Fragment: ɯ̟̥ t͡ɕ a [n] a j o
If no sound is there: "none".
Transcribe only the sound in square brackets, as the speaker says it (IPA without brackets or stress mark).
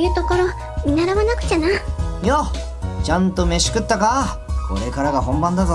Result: n